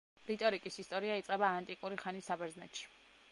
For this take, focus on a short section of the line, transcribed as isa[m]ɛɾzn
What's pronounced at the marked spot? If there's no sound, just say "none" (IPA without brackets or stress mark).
b